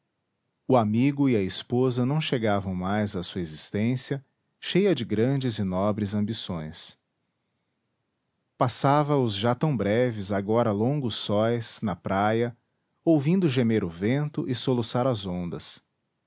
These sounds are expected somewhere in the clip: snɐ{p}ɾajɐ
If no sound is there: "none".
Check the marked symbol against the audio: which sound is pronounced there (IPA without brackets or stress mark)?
p